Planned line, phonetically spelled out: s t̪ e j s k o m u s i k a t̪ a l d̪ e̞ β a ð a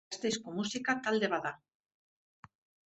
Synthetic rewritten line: s t̪ e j s k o m u s i k a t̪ a l d̪ e̞ β a ð a